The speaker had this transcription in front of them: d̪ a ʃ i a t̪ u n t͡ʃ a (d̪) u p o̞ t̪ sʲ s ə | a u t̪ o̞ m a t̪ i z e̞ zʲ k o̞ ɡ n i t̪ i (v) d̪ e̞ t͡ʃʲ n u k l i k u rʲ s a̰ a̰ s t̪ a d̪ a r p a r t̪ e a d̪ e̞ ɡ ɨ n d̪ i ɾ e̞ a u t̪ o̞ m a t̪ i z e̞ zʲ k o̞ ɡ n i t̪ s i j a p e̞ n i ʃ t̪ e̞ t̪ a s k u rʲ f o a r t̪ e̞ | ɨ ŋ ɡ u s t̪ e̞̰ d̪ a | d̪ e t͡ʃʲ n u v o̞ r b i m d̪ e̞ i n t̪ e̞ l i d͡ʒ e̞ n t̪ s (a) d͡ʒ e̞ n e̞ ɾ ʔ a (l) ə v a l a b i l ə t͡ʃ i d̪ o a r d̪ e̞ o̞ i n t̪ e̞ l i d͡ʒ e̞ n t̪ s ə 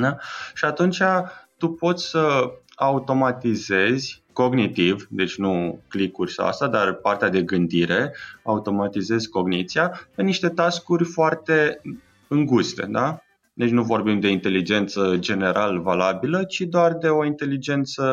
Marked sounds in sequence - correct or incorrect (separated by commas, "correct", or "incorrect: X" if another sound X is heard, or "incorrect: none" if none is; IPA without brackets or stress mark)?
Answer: incorrect: t̪, correct, incorrect: ə, correct